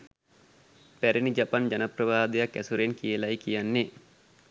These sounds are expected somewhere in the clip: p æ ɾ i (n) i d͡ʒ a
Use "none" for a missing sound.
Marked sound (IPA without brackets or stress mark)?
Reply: n